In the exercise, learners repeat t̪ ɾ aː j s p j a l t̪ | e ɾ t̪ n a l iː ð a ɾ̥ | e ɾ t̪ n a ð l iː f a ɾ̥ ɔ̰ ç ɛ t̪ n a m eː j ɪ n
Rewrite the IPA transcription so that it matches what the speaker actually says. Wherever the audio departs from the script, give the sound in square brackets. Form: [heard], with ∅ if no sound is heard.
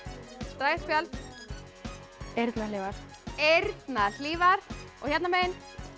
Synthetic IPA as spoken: t̪ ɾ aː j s p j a l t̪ | e ɾ t̪ n a l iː [v] a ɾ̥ | e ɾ t̪ n a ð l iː [v] a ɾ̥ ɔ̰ ç ɛ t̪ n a m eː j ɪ n